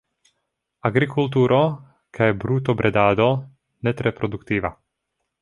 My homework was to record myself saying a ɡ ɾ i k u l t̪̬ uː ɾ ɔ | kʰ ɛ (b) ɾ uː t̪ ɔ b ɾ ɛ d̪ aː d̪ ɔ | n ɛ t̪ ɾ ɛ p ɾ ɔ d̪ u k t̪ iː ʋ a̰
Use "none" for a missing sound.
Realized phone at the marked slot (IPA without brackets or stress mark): b